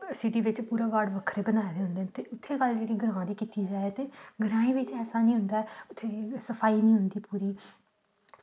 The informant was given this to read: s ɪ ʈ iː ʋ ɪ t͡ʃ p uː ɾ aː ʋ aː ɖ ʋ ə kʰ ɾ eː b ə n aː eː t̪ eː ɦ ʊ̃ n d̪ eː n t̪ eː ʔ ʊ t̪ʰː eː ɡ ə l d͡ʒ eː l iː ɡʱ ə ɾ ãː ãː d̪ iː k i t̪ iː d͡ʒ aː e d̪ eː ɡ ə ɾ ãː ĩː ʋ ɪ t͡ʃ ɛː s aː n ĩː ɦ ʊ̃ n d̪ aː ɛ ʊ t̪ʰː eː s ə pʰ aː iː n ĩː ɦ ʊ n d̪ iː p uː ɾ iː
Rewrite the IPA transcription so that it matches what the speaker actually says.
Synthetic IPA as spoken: s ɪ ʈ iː ʋ ɪ t͡ʃ p uː ɾ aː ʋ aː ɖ ʋ ə kʰ ɾ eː b ə n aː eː d̪ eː ɦ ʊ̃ n d̪ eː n t̪ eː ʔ ʊ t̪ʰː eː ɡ ə l d͡ʒ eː ɽ iː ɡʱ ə ɾ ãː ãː d̪ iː k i t̪ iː d͡ʒ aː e t̪ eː ɡ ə ɾ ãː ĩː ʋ ɪ t͡ʃ ɛː s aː n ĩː ɦ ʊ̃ n d̪ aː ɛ ʊ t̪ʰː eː s ə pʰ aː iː n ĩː ɦ ʊ n d̪ iː p uː ɾ iː

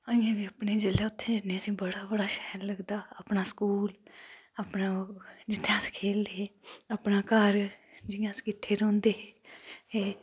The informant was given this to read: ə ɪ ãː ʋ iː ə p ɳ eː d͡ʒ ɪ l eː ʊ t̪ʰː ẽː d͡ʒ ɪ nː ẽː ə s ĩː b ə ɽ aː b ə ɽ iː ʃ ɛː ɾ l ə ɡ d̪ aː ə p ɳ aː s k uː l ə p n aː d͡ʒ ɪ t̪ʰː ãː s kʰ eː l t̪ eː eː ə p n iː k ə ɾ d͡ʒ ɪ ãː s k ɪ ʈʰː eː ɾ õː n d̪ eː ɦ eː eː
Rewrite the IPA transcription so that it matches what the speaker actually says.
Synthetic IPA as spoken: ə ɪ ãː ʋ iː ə p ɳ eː d͡ʒ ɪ l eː ʊ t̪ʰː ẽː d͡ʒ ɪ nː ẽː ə s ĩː b ə ɽ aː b ə ɽ aː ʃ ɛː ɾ l ə ɡ d̪ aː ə p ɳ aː s k uː l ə p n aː d͡ʒ ɪ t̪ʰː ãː s kʰ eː l d̪ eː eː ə p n aː k ə ɾ d͡ʒ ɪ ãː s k ɪ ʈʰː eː ɾ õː n d̪ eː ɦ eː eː

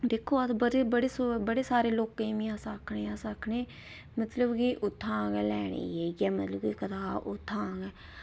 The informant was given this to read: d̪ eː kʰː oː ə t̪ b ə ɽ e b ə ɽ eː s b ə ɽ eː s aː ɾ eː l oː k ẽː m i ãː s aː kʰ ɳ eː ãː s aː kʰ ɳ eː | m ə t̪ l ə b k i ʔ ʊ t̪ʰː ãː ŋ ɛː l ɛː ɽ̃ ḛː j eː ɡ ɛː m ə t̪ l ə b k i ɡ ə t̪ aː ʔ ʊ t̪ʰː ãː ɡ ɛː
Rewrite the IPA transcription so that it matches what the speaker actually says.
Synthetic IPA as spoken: d̪ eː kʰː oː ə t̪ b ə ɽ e b ə ɽ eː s b ə ɽ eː s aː ɾ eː l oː k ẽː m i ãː s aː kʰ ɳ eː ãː s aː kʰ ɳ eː | m ə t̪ l ə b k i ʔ ʊ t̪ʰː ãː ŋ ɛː l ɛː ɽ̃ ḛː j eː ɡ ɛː m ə t̪ l ə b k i k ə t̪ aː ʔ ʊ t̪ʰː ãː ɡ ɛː

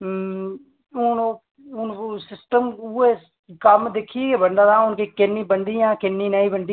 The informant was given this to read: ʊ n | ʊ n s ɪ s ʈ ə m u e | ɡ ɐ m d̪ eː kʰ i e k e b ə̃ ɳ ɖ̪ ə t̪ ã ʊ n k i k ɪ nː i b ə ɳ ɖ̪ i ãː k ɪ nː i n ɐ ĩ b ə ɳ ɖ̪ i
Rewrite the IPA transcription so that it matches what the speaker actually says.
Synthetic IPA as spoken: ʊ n | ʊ n s ɪ s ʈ ə m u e | k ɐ m d̪ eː kʰ i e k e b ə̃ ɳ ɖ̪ a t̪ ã ʊ n k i k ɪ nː i b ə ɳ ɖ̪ i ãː k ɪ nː i n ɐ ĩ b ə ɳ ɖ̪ i

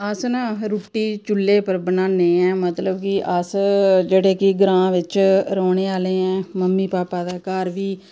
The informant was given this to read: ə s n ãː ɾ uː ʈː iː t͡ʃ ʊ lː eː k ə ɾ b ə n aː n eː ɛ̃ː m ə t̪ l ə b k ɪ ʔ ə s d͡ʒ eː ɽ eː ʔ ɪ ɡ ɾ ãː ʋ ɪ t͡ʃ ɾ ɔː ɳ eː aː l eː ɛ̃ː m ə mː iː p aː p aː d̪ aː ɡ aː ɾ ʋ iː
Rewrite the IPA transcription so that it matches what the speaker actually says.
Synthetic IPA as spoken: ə s n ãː ɾ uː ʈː iː t͡ʃ ʊ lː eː p ə ɾ b ə n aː n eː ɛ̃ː m ə t̪ l ə b k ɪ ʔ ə s d͡ʒ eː ɽ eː k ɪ ɡ ɾ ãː ʋ ɪ t͡ʃ ɾ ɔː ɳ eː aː l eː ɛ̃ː m ə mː iː p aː p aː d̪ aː k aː ɾ ʋ iː

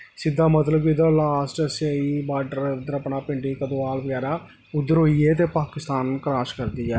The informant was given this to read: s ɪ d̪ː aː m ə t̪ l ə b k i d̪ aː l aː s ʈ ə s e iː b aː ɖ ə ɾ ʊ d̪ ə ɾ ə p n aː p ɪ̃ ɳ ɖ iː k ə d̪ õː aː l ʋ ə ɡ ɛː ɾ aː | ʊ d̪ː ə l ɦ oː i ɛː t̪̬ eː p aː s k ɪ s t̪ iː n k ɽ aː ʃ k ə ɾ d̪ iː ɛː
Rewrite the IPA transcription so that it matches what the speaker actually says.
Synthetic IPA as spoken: s ɪ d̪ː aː m ə t̪ l ə b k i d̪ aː l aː s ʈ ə s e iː b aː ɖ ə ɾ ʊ d̪ ə ɾ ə p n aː p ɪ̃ ɳ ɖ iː k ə d̪ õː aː l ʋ ə ɡ ɛː ɾ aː | ʊ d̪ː ə ɾ ɦ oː i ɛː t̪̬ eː p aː k ɪ s t̪ aː n k ɾ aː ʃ k ə ɾ d̪ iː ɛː

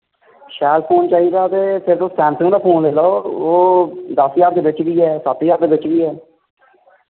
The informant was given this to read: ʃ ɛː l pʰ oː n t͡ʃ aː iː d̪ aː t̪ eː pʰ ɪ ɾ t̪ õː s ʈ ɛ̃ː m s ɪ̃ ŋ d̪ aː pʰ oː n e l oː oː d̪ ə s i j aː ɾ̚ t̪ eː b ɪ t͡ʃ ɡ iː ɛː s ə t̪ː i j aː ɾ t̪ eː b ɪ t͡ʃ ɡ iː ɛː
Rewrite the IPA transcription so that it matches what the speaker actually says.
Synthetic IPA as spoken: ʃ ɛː l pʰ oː n t͡ʃ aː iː d̪ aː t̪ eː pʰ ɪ ɾ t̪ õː s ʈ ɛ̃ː m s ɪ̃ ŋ d̪ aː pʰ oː n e l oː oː d̪ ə s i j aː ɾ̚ d̪ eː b ɪ t͡ʃ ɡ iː ɛː s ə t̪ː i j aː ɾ d̪ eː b ɪ t͡ʃ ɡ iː ɛː

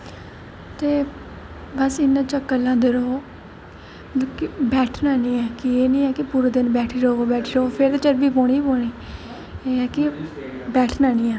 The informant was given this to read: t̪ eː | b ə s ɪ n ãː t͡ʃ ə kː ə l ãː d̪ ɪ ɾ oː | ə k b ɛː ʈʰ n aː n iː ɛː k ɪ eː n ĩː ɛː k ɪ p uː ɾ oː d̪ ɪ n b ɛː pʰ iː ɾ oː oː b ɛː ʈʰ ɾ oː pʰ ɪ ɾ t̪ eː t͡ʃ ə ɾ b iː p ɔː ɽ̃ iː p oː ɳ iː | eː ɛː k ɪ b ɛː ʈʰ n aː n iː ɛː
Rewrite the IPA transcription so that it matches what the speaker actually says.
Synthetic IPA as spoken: t̪ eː | b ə s ɪ n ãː t͡ʃ ə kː ə l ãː d̪ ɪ ɾ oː | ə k b ɛː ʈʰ n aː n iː ɛː k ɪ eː n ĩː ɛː k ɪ p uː ɾ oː d̪ ɪ n b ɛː ʈʰ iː ɾ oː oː b ɛː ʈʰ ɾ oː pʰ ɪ ɾ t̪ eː t͡ʃ ə ɾ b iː p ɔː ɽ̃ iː p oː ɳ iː | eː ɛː k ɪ b ɛː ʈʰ n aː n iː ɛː

